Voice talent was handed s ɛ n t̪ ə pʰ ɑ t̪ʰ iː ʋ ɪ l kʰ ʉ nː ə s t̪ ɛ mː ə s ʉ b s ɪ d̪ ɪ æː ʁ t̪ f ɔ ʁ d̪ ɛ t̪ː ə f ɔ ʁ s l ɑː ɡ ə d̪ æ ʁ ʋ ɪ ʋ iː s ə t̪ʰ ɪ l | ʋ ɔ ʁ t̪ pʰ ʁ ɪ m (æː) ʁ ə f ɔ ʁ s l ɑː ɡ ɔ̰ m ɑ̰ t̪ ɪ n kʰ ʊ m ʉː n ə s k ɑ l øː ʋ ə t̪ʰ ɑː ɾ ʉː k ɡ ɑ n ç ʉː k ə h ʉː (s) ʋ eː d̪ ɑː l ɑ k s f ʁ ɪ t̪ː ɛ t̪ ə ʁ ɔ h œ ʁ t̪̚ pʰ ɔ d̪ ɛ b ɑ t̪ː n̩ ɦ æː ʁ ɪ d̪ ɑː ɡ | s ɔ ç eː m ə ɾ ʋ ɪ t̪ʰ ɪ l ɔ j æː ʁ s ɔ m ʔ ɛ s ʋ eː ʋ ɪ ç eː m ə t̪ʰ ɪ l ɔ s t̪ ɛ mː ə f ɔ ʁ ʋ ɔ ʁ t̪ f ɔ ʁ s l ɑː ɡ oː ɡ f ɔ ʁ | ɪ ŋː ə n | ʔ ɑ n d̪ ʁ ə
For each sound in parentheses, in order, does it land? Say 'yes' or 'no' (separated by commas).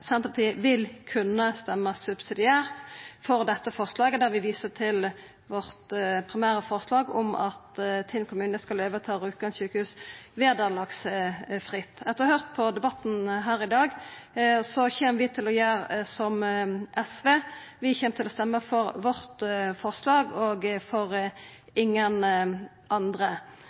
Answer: yes, yes